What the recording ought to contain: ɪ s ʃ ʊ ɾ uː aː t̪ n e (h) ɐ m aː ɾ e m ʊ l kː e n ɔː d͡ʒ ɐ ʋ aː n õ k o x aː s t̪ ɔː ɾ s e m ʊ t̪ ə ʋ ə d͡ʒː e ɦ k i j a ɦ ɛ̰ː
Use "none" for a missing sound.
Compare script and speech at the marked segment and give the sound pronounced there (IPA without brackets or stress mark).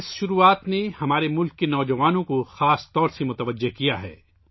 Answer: h